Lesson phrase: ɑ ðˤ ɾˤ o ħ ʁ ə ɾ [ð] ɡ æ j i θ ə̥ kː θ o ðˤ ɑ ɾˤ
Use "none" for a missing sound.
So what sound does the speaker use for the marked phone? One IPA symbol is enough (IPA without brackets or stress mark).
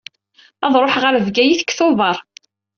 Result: v